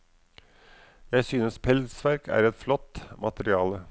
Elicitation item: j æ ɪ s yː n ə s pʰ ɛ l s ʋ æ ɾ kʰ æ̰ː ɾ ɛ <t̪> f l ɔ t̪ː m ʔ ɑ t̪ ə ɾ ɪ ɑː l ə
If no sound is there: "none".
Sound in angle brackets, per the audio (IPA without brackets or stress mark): t̪